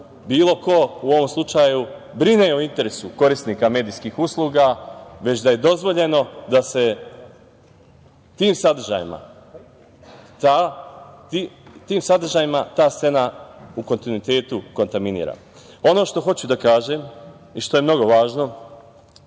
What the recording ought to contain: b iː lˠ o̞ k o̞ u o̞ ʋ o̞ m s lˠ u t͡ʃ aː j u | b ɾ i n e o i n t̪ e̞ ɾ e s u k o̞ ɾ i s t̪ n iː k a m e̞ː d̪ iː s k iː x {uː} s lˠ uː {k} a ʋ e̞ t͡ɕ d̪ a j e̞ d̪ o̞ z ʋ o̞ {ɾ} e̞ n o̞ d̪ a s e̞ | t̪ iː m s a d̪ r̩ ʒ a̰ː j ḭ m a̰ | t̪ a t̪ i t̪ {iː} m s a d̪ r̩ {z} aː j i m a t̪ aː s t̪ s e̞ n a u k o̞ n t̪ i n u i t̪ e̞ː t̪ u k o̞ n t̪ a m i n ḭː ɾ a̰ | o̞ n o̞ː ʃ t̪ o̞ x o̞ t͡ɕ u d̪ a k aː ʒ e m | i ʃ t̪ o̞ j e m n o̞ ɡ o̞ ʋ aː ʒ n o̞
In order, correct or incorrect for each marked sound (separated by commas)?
incorrect, incorrect, incorrect, correct, incorrect